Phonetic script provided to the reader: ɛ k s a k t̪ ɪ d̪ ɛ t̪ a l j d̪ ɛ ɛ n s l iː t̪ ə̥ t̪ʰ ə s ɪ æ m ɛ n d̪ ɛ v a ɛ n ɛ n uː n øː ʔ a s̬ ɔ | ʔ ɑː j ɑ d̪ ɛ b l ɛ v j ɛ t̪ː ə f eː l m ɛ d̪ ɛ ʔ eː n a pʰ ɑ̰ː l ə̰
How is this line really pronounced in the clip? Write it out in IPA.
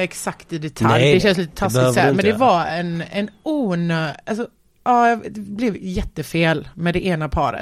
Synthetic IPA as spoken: ɛ k s a k t̪ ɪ d̪ ɛ t̪ʰ a l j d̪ ɛ ɛ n s l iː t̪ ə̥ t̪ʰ a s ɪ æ m ɛ n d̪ ɛ v a ɛ n ɛ n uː n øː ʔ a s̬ ɔ | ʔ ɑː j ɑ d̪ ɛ b l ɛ v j ɛ t̪ː ə f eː l m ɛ d̪ ɛ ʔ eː n a pʰ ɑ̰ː ɾ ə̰